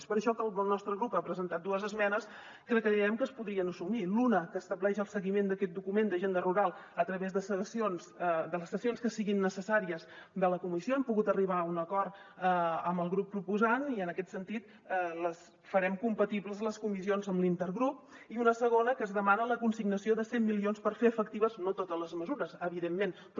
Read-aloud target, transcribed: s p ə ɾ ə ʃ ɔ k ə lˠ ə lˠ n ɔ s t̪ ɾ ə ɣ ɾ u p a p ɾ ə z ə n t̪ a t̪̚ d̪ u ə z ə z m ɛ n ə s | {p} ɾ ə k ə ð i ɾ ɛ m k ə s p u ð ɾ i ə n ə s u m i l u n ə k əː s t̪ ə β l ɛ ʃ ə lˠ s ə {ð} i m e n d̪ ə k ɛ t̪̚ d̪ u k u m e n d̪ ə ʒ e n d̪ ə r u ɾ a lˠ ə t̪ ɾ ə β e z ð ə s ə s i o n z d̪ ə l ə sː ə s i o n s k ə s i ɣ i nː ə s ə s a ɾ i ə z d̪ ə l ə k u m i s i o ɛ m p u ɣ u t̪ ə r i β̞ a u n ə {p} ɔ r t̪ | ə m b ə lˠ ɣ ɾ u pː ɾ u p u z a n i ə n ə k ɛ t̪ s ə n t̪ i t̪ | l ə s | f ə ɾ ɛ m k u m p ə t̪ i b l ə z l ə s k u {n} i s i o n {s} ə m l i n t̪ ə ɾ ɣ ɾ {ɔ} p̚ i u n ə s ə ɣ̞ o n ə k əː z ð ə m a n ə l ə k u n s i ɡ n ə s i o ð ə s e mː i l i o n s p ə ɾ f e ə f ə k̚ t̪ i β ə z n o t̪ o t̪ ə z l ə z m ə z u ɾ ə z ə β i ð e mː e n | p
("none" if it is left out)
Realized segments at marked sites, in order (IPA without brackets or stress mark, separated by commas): k, ɣ, k, m, z, u